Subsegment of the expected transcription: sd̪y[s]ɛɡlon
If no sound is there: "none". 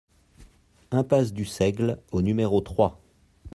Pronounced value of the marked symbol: s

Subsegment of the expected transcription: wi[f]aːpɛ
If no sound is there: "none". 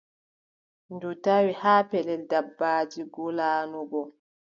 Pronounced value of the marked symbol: h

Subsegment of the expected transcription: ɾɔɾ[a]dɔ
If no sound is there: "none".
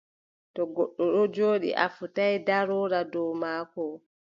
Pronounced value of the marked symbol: a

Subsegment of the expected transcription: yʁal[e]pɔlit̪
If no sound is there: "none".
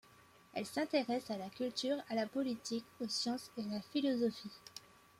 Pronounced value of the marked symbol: a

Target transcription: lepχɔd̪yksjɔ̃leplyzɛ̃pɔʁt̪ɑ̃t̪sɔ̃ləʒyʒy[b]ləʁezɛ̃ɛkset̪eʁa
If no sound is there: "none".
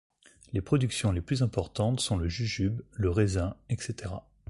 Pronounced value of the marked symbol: b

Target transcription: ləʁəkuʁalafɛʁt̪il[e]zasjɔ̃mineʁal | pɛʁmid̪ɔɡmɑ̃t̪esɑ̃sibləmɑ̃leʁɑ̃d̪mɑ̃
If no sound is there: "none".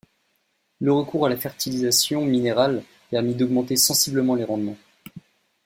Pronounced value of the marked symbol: i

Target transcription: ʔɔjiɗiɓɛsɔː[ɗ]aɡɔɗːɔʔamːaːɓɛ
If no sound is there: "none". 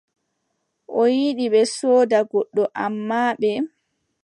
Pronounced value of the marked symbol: d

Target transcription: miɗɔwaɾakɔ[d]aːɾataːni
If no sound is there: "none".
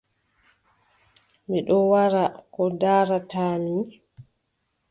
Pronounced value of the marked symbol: d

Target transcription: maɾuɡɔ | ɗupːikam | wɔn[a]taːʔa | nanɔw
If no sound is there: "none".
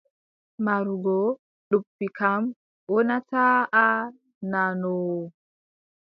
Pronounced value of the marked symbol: a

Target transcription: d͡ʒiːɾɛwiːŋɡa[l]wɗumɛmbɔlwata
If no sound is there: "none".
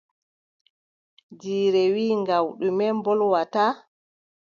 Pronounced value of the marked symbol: none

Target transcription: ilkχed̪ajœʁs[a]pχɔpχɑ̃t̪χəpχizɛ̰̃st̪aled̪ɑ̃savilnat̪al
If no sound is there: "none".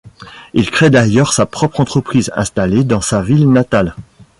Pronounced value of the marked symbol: a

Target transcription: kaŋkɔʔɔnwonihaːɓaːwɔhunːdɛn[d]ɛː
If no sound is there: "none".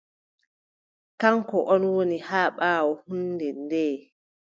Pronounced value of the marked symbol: d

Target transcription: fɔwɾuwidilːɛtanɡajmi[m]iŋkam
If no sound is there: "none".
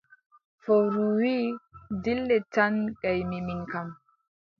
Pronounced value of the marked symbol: m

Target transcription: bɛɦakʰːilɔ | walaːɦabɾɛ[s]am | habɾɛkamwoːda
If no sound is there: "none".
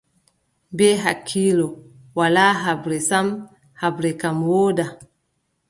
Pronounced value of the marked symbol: s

